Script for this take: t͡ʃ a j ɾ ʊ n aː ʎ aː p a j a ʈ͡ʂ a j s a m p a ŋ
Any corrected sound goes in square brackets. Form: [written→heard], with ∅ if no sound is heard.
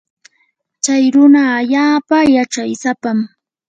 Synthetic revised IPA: t͡ʃ a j ɾ ʊ n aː ʎ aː p a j a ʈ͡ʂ a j s a [m→∅] p a [ŋ→m]